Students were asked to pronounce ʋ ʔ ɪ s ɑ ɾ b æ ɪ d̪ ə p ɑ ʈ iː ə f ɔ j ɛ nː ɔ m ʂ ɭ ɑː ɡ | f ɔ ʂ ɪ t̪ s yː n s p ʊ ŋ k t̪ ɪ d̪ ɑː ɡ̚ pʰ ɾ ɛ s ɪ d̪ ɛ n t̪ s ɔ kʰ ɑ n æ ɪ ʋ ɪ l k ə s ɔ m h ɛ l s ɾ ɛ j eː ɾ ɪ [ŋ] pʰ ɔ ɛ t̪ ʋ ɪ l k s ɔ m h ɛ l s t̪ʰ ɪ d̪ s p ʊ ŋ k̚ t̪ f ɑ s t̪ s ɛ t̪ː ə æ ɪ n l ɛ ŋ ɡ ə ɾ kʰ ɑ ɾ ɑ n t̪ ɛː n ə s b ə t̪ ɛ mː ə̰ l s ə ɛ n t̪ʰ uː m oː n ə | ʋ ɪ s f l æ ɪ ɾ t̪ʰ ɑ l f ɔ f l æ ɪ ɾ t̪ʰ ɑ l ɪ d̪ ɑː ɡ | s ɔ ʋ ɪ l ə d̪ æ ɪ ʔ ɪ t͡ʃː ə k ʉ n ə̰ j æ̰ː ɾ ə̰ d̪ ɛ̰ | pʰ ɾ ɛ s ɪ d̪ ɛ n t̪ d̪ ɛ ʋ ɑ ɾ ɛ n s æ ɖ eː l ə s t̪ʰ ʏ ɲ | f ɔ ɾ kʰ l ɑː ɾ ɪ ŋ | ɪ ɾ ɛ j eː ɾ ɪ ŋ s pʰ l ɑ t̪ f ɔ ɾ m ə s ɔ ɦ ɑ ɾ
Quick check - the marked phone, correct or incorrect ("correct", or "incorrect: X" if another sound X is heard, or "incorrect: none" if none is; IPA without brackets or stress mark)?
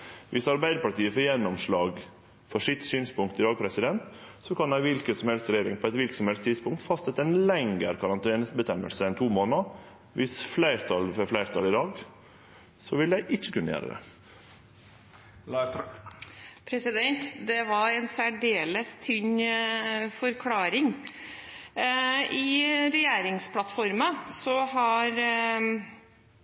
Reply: correct